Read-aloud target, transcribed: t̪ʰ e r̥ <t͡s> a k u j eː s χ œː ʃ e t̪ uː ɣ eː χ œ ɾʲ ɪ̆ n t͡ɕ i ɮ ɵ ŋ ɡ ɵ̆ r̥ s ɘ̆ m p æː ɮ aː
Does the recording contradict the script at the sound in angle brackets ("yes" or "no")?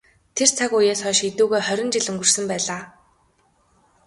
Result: yes